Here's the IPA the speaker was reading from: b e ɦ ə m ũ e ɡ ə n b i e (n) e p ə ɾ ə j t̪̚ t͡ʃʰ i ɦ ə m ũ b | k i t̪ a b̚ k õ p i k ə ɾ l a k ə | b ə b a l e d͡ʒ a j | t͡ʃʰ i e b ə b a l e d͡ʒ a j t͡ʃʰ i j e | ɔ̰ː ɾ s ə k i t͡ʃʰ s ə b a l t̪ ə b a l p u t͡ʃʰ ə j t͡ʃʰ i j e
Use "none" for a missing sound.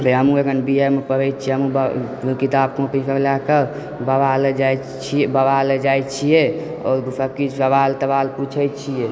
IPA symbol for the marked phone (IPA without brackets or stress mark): m